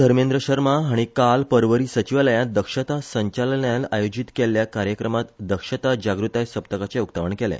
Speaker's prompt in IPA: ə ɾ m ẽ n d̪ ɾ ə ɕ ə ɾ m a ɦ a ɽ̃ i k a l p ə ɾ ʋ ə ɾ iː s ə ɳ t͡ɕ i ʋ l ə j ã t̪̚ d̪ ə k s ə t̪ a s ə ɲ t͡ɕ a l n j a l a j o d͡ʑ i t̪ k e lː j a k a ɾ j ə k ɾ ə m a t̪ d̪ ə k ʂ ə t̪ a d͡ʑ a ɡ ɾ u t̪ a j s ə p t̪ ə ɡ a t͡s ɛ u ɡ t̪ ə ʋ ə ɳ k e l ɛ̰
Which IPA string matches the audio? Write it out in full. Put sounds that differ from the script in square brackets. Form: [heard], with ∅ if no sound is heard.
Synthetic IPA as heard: ə ɾ m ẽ n d̪ ɾ ə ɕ ə ɾ m a ɦ a ɽ̃ i k a l p ə ɾ ʋ ə ɾ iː s ə [∅] t͡ɕ i ʋ l ə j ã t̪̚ d̪ ə k [ʂ] ə t̪ a s ə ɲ t͡ɕ a l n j a l a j o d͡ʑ i t̪ k e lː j a k a ɾ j ə k ɾ ə m a t̪ d̪ ə k ʂ ə t̪ a d͡ʑ a ɡ ɾ u t̪ a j s ə p t̪ ə [k] a t͡s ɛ u [k] t̪ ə ʋ ə ɳ k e l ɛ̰